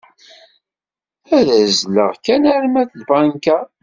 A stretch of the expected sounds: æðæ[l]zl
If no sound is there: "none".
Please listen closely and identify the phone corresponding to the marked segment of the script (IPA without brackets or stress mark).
none